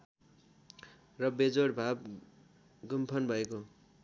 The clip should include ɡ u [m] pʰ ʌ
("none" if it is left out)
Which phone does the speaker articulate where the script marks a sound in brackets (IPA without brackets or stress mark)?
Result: m